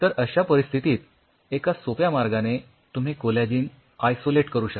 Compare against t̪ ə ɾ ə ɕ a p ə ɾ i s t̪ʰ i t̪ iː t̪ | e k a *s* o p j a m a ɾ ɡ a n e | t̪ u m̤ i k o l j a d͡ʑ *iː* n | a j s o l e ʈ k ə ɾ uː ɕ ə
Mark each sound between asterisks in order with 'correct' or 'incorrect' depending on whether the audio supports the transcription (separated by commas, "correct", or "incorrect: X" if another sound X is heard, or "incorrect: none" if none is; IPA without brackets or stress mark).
correct, correct